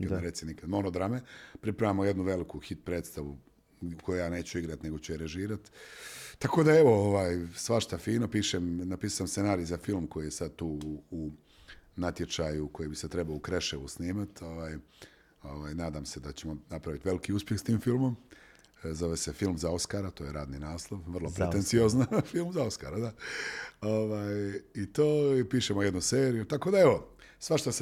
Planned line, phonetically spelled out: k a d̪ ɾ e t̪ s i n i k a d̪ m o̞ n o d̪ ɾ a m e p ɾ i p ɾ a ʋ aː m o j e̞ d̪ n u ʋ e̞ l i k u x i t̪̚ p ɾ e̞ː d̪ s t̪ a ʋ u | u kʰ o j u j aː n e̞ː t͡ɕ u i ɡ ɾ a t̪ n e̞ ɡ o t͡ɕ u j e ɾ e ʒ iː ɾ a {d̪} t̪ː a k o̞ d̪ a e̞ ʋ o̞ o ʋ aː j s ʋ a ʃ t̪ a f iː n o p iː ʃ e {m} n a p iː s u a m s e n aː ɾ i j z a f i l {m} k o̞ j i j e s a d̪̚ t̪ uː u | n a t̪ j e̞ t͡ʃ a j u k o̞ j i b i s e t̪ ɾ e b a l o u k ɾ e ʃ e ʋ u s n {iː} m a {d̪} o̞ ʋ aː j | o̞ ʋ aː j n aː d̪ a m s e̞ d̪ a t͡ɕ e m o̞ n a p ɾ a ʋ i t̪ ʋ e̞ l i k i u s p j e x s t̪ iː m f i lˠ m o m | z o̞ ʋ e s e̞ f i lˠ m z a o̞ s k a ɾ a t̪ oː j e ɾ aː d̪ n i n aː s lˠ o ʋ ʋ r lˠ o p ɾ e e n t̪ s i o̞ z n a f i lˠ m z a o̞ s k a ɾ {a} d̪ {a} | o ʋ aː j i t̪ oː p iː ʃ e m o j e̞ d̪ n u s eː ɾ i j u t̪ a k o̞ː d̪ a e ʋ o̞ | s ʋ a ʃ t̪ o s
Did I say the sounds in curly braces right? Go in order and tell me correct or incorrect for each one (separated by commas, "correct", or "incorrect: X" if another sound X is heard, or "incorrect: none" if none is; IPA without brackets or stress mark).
incorrect: t̪, correct, correct, correct, incorrect: t̪, correct, correct